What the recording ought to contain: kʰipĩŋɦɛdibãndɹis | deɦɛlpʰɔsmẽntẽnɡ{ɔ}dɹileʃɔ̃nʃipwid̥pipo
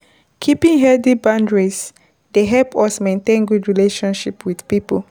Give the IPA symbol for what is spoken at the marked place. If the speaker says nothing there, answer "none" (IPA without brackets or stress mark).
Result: u